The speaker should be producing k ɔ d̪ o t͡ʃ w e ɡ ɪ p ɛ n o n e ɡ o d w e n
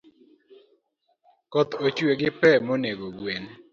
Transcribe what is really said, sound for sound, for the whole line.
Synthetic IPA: k ɔ t̪ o t͡ʃ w e ɡ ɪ p ɛ m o n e ɡ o ɡ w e n